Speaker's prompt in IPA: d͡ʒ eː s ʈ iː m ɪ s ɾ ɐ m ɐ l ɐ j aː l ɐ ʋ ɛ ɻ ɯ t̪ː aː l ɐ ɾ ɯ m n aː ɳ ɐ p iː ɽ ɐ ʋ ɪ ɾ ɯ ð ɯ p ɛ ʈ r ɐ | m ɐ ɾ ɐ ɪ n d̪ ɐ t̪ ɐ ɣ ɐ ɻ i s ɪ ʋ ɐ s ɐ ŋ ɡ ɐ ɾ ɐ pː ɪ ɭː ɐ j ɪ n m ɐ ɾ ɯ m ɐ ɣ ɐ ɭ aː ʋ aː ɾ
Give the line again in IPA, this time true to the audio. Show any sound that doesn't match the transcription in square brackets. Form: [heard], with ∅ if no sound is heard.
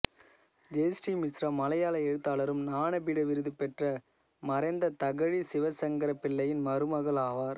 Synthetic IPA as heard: d͡ʒ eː s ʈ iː m ɪ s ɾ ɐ m ɐ l ɐ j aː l ɐ [∅] ɛ ɻ ɯ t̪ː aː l ɐ ɾ ɯ m n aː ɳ ɐ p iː ɽ ɐ ʋ ɪ ɾ ɯ ð ɯ p ɛ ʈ r ɐ | m ɐ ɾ ɐ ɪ n d̪ ɐ t̪ ɐ ɣ ɐ ɻ i s ɪ ʋ ɐ s ɐ ŋ ɡ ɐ ɾ ɐ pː ɪ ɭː ɐ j ɪ n m ɐ ɾ ɯ m ɐ ɣ ɐ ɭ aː ʋ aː ɾ